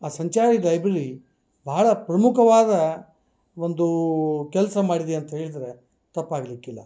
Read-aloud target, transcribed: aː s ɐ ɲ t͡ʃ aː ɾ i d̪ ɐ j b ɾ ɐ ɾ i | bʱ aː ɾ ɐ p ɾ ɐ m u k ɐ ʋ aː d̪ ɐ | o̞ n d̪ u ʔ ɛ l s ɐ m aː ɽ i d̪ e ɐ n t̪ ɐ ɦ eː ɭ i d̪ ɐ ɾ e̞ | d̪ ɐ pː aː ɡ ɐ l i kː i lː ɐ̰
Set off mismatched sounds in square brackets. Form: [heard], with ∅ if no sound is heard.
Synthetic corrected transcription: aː s ɐ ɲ t͡ʃ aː ɾ i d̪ ɐ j b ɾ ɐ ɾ i | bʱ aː [ɭ] ɐ p ɾ ɐ m u k ɐ ʋ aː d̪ ɐ | o̞ n d̪ u [k] ɛ l s ɐ m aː ɽ i d̪ e ɐ n t̪ ɐ ɦ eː ɭ i d̪ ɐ ɾ e̞ | [t̪] ɐ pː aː ɡ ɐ l i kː i lː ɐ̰